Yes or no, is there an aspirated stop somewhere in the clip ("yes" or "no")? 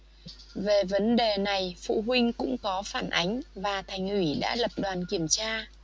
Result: yes